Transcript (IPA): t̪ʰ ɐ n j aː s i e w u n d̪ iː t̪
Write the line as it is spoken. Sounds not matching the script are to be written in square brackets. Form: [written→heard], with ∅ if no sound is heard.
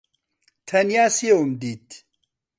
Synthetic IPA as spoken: t̪ʰ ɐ n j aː s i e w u [n→m] d̪ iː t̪